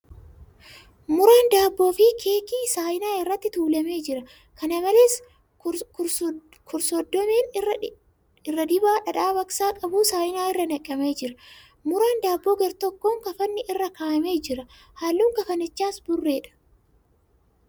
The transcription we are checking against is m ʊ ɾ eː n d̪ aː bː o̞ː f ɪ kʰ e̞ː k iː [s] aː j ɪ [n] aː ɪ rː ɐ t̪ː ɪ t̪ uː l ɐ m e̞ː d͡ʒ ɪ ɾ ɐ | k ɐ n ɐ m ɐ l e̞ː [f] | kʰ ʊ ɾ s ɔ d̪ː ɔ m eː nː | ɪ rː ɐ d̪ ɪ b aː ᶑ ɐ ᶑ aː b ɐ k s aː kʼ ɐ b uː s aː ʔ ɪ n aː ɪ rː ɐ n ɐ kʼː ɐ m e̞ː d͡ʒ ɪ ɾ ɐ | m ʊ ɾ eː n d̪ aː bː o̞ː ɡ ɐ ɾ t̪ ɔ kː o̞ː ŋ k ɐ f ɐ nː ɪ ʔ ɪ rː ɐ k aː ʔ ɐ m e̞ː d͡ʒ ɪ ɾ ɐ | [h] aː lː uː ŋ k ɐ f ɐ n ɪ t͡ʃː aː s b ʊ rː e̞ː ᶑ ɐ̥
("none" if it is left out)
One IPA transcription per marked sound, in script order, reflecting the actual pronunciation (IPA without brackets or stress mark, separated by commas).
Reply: s, n, s, h